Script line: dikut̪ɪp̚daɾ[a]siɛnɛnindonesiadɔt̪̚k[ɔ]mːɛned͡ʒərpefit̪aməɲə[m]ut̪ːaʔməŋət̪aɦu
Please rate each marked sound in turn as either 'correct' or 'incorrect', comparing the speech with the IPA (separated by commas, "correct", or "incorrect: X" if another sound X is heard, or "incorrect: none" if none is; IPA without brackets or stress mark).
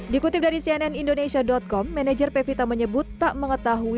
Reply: incorrect: i, correct, incorrect: b